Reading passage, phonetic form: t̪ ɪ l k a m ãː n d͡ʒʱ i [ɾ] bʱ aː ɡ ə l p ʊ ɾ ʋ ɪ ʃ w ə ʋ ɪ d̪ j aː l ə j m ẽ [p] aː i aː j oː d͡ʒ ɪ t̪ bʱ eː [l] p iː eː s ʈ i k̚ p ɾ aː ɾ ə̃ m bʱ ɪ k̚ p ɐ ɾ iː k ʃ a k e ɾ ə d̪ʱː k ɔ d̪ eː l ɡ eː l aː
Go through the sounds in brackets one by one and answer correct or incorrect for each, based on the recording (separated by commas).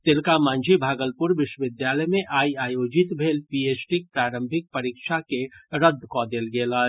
incorrect, incorrect, correct